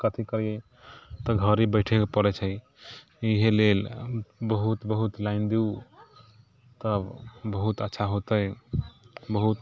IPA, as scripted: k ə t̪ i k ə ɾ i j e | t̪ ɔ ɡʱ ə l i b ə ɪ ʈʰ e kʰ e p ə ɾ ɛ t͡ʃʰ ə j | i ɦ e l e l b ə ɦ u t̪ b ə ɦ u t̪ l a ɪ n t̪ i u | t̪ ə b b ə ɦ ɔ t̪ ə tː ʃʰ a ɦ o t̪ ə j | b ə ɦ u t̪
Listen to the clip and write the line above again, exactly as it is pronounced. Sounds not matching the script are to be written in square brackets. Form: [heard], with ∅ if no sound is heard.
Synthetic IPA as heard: k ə [t̪ʰ] i k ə ɾ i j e | t̪ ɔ ɡʱ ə [ɾ] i b ə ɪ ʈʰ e [k] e p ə ɾ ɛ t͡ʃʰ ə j | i ɦ e l e l b ə ɦ u t̪ b ə ɦ u t̪ l a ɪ n [d̪] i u | t̪ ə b b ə ɦ [u] t̪ ə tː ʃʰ a ɦ o t̪ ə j | b ə ɦ u t̪